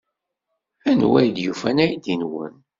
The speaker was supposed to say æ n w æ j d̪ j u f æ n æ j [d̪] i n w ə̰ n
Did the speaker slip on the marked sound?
no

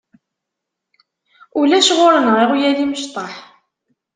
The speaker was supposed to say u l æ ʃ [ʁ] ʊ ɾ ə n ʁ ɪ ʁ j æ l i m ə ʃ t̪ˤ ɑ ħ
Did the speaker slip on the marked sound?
no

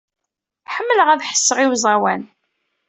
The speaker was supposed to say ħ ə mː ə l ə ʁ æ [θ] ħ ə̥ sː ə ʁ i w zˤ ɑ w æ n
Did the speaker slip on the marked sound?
yes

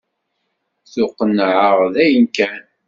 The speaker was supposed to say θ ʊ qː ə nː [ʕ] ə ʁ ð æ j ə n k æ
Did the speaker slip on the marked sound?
no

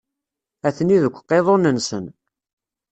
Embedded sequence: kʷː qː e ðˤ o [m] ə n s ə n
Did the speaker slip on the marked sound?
yes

